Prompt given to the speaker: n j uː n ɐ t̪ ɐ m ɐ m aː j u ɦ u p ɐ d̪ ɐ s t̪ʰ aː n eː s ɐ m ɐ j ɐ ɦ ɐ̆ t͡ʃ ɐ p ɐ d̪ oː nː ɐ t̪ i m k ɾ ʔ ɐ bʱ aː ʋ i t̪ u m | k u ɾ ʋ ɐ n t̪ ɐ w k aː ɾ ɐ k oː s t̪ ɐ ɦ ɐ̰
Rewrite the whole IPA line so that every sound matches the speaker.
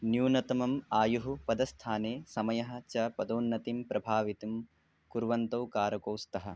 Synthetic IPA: n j uː n ɐ t̪ ɐ m ɐ m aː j u ɦ u p ɐ d̪ ɐ s t̪ʰ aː n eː s ɐ m ɐ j ɐ ɦ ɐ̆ t͡ʃ ɐ p ɐ d̪ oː nː ɐ t̪ i m p ɾ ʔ ɐ bʱ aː ʋ i t̪ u m | k u ɾ ʋ ɐ n t̪ ɐ w k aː ɾ ɐ k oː s t̪ ɐ ɦ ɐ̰